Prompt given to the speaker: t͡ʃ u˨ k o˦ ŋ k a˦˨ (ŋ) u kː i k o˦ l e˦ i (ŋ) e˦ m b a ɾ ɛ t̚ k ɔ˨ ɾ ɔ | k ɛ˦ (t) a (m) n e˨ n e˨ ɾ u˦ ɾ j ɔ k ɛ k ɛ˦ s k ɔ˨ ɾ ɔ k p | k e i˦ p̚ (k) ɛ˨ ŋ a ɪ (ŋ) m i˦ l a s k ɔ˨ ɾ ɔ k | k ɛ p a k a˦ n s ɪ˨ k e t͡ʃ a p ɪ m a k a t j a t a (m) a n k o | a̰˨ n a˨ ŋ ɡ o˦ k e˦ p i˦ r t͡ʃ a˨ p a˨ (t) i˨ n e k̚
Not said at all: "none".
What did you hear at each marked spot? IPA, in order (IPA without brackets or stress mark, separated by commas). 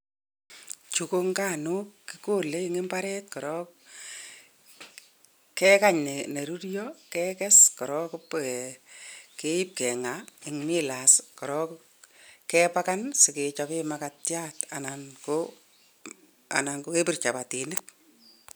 n, ŋ, k, ɲ, k, ŋ, n, t